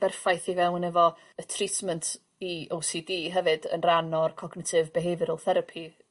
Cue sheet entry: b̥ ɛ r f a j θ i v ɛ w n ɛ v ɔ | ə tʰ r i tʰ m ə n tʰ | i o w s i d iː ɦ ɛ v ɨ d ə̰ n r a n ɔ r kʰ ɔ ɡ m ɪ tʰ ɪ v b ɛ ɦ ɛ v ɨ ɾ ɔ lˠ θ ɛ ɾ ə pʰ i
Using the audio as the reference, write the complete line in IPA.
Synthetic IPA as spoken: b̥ ɛ r f a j θ i v ɛ w n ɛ v ɔ | ə tʰ r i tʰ m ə n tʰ | i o w s i d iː ɦ ɛ v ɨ d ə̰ n r a n ɔ r kʰ ɔ ɡ n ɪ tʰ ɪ v b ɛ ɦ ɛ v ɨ ɾ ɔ lˠ θ ɛ ɾ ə pʰ i